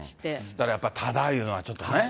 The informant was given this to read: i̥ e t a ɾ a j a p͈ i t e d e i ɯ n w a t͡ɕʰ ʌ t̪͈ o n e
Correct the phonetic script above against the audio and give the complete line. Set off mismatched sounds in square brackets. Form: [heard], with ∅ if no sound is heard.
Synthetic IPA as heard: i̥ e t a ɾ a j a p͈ [a] t [a] d [a] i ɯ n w a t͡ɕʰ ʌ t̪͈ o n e